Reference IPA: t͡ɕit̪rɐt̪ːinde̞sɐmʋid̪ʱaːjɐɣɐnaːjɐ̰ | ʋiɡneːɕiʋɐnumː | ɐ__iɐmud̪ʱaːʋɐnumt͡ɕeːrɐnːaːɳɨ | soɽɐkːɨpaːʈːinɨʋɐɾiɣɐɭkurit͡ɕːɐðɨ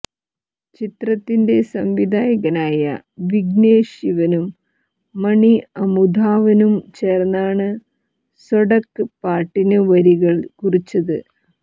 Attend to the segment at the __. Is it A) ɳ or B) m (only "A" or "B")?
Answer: A